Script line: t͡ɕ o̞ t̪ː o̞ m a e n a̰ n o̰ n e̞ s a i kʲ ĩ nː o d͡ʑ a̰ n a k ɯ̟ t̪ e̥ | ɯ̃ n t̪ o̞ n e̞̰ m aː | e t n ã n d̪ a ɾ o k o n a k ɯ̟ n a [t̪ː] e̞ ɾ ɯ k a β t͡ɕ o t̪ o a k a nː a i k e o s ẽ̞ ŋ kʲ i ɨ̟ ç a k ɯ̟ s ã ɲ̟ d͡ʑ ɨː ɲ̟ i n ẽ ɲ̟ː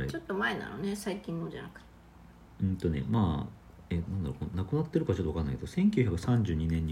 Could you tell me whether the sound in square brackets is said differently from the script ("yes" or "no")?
no